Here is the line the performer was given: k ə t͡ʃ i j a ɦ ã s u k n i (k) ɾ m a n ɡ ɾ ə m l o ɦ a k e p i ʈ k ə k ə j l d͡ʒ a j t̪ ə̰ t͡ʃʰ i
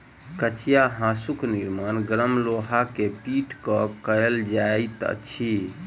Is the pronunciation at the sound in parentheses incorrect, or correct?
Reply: incorrect